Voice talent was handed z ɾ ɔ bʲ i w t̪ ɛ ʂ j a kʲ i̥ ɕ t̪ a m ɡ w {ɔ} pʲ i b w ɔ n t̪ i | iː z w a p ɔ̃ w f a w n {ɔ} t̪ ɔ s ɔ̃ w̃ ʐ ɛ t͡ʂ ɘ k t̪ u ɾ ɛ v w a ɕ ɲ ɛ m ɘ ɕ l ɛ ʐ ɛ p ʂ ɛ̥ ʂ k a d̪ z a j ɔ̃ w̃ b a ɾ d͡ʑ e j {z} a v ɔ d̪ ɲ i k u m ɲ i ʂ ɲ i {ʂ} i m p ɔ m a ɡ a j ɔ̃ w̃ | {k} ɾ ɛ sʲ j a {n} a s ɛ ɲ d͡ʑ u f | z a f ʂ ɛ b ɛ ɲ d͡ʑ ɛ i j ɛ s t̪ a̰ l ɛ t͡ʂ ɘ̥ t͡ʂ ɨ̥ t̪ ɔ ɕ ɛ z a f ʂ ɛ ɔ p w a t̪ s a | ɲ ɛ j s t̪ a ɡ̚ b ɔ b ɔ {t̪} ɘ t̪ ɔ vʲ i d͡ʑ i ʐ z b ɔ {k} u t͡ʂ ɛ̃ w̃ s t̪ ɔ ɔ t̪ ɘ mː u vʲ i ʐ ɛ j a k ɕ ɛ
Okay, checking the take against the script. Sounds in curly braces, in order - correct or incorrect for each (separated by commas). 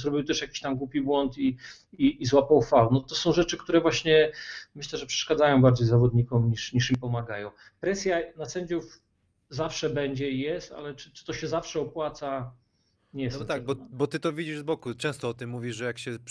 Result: incorrect, correct, correct, correct, incorrect, correct, correct, correct